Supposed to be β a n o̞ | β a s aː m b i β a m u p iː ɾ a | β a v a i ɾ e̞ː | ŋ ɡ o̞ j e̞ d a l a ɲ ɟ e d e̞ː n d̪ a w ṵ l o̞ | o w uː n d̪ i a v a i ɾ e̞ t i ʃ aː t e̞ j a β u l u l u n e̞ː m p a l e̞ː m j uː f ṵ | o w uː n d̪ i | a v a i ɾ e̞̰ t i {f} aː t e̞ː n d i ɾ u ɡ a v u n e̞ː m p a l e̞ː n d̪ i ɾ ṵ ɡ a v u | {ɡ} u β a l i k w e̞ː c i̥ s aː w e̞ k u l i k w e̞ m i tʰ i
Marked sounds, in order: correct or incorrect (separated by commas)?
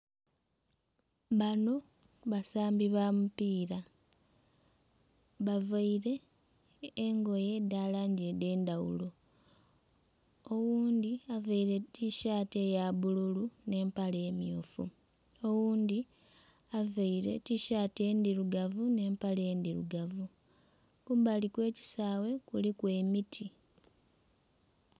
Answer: incorrect, incorrect